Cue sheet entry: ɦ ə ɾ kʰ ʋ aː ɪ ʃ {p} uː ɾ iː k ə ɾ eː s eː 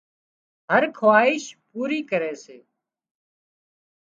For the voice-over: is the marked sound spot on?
yes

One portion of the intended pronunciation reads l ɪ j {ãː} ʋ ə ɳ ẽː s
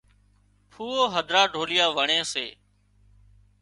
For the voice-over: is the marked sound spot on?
no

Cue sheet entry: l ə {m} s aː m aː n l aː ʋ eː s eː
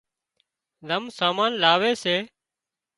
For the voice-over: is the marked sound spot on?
yes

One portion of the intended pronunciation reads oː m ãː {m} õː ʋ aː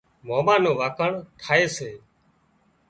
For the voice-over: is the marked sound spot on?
no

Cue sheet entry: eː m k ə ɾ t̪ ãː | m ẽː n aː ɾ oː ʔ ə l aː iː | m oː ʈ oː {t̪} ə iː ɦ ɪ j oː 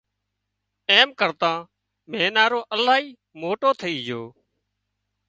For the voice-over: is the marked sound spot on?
no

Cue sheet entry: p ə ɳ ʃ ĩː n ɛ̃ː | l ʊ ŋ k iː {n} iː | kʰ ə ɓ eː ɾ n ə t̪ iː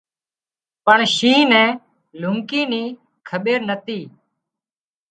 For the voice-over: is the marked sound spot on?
yes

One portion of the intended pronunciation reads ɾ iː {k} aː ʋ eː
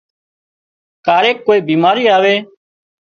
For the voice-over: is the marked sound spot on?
no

